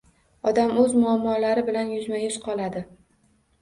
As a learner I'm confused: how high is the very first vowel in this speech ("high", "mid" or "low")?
low